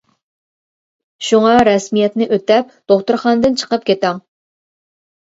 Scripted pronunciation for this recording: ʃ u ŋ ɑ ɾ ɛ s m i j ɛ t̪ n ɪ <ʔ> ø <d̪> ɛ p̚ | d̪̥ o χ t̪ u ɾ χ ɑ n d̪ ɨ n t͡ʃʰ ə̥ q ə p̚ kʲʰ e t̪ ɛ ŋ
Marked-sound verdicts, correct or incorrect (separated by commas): correct, incorrect